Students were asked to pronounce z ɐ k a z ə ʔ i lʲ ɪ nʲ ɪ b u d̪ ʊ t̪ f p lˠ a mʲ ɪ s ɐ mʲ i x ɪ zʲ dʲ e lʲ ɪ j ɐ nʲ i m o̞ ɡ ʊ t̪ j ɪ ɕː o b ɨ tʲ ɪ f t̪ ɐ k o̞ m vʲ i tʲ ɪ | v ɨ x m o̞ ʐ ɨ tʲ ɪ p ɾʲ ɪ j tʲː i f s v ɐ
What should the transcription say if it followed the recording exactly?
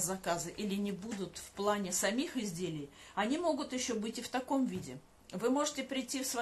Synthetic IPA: z ɐ k a z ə ʔ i lʲ ɪ nʲ ɪ b u d̪ ʊ t̪ f p lˠ a nʲ ɪ s ɐ mʲ i x ɪ zʲ dʲ e lʲ ɪ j ɐ nʲ i m o̞ ɡ ʊ t̪ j ɪ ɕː o b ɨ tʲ ɪ f t̪ ɐ k o̞ m vʲ i dʲ ɪ | v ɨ m o̞ ʐ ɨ tʲ ɪ p ɾʲ ɪ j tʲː i f s v ɐ